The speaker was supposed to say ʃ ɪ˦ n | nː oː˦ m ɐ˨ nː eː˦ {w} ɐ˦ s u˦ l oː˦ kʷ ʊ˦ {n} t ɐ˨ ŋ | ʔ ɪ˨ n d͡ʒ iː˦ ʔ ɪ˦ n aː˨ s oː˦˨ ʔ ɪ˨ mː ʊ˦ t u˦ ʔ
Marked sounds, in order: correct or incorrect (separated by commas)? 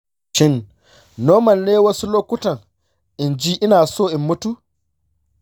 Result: correct, incorrect